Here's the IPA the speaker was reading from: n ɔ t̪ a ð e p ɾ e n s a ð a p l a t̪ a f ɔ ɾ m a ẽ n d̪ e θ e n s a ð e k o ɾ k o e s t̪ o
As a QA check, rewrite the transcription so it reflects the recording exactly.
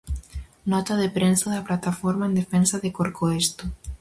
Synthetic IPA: n ɔ t̪ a ð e p ɾ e n s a ð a p l a t̪ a f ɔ ɾ m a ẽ n d̪ e f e n s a ð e k o ɾ k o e s t̪ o